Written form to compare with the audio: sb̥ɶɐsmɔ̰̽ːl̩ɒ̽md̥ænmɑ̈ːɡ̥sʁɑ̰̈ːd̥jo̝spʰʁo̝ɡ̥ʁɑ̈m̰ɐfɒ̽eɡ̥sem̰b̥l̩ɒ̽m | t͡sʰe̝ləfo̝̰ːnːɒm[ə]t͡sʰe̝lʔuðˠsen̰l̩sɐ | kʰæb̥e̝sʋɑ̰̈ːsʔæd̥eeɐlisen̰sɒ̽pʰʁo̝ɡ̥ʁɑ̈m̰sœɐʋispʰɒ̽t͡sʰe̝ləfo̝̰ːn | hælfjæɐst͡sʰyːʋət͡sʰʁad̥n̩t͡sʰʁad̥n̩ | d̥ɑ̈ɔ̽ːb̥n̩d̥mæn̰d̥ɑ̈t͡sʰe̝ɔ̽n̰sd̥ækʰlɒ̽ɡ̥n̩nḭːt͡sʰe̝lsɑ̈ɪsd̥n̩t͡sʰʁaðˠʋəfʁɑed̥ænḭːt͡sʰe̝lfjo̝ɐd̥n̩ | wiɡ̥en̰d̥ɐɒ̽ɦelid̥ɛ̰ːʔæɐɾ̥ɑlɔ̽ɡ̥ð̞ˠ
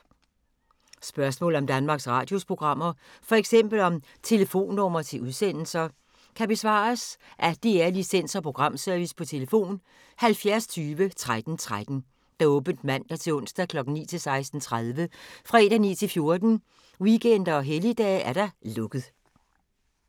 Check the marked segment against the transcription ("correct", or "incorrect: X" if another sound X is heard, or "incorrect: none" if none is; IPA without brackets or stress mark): incorrect: ɐ